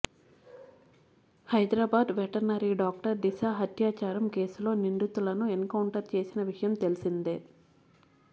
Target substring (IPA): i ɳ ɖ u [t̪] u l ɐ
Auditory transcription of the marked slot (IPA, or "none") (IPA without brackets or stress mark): t̪